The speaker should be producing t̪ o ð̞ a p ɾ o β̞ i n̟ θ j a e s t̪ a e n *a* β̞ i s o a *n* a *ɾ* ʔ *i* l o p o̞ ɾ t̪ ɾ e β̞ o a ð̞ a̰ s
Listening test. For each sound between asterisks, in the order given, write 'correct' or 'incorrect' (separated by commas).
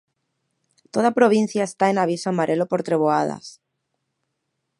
correct, incorrect, correct, incorrect